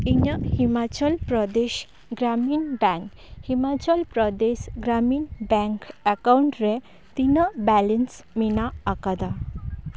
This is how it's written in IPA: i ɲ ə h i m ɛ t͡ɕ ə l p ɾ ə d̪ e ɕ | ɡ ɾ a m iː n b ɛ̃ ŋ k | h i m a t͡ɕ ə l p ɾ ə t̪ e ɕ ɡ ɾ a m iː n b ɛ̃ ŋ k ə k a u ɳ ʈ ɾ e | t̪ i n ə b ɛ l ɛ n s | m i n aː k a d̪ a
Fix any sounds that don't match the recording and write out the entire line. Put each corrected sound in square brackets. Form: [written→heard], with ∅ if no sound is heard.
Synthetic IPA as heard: i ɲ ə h i m [ɛ→a] t͡ɕ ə l p ɾ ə d̪ e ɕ | ɡ ɾ a m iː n b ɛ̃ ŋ k | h i m a t͡ɕ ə l p ɾ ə [t̪→d̪] e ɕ ɡ ɾ a m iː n b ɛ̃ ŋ k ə k a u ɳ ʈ ɾ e | t̪ i n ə b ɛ l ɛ n s | m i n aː k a d̪ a